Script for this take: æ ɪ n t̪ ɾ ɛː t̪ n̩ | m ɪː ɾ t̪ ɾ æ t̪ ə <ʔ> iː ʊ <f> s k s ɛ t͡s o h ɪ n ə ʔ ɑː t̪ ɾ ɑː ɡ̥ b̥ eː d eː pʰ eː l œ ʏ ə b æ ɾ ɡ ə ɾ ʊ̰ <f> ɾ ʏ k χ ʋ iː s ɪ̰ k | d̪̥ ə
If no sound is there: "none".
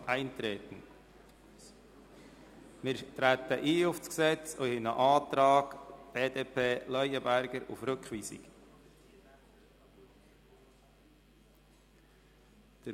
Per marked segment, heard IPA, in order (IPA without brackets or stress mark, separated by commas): ʔ, f, f